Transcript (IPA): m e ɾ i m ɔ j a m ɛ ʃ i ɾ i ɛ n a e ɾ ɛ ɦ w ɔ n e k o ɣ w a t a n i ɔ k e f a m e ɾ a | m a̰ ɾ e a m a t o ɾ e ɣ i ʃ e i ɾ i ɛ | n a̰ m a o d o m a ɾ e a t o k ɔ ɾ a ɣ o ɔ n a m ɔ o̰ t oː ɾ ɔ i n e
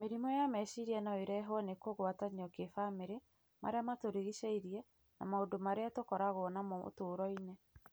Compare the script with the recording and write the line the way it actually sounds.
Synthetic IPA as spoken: m e ɾ i m ɔ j a m ɛ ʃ i ɾ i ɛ n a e ɾ ɛ ɦ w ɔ n e k o ɣ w a t a ɲ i ɔ k e f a m e ɾ e | m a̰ ɾ e a m a t o ɾ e ɣ i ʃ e i ɾ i ɛ | n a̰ m a o d o m a ɾ e a t o k ɔ ɾ a ɣ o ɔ n a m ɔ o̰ t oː ɾ ɔ i n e